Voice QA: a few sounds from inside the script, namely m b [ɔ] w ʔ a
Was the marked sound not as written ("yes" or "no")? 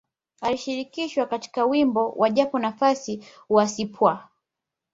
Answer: no